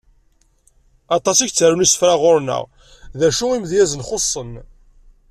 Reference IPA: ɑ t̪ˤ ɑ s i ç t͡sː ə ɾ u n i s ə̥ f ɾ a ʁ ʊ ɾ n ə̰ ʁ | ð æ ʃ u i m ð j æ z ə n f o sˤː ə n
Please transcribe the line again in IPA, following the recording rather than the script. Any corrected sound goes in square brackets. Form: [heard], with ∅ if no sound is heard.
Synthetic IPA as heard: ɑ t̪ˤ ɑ s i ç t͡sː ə ɾ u n i s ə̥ f ɾ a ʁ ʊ ɾ n ə̰ ʁ | ð æ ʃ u i m ð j æ z ə n [χ] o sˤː ə n